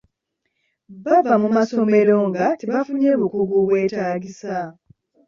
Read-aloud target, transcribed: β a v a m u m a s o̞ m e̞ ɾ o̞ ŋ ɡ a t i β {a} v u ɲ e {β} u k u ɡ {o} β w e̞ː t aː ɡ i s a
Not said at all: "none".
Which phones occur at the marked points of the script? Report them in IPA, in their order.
a, β, u

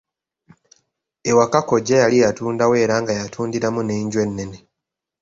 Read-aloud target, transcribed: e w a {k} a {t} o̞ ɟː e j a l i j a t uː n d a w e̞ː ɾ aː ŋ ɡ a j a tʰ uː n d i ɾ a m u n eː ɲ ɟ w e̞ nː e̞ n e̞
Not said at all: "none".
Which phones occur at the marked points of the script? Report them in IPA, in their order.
k, k

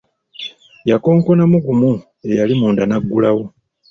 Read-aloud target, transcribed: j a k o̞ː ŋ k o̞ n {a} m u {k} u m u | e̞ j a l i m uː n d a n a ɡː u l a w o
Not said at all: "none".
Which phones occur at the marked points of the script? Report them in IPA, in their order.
a, ɡ

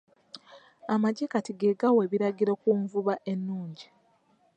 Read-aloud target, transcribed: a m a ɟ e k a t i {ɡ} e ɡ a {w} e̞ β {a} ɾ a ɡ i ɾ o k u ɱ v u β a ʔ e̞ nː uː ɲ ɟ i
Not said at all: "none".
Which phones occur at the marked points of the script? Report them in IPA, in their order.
ɡ, w, i

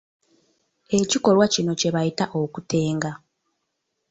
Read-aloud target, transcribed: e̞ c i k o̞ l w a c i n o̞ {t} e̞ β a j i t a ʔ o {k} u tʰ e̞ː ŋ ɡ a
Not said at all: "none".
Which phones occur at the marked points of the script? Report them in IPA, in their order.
c, k

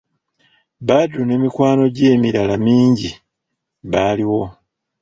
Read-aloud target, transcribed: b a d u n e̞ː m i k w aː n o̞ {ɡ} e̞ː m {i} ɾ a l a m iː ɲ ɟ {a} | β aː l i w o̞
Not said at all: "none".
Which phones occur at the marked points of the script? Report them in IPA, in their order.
ɟ, i, i

